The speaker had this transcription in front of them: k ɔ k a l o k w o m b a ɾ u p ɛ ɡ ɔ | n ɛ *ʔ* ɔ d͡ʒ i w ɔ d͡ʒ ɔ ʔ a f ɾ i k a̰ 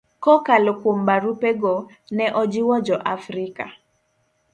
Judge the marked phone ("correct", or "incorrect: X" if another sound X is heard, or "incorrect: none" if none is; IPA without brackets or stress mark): correct